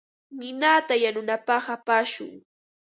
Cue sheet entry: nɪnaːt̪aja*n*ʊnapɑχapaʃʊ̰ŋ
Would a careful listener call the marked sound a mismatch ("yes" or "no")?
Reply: no